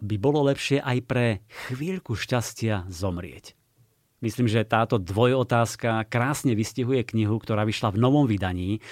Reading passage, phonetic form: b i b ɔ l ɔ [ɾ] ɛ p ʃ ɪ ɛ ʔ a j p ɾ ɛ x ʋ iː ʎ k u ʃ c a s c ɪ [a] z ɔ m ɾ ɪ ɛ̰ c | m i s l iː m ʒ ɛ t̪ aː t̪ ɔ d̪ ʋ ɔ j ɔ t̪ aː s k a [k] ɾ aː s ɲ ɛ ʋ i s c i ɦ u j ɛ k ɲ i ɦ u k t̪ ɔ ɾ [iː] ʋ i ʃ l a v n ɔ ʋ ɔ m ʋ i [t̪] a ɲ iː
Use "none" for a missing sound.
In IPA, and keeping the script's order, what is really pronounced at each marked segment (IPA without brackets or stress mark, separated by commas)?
l, a, k, aː, d̪